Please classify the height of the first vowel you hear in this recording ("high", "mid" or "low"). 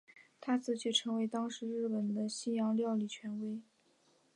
low